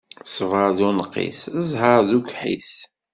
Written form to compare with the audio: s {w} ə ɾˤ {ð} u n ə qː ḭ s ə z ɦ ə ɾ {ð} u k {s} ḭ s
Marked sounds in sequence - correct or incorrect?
incorrect: v, correct, correct, incorrect: ħ

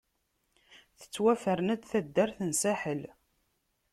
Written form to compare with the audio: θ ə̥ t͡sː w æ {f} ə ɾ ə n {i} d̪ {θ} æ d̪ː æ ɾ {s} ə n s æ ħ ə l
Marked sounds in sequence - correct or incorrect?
correct, incorrect: æ, correct, incorrect: θ

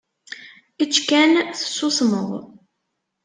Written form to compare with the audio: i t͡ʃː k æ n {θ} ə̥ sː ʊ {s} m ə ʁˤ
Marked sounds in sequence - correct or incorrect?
correct, correct

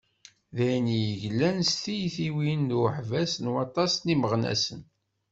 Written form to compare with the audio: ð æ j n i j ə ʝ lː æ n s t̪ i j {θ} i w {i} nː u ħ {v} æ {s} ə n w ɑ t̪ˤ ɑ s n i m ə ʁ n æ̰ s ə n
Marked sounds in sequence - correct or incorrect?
correct, correct, correct, correct

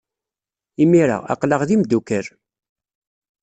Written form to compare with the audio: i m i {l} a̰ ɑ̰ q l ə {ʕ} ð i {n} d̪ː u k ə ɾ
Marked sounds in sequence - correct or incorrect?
incorrect: ɾ, incorrect: ʁ, incorrect: m

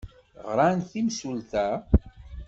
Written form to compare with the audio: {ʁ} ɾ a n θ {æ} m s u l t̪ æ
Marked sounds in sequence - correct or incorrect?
correct, incorrect: i

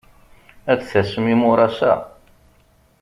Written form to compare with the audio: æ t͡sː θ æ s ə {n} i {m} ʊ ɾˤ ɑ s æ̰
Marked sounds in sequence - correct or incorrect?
incorrect: m, correct

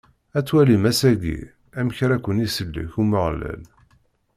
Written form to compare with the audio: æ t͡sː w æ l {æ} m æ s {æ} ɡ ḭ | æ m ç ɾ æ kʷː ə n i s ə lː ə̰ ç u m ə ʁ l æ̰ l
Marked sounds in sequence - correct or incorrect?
incorrect: i, correct

